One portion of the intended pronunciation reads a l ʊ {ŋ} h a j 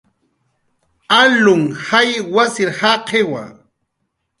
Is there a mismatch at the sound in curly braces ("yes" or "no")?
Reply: no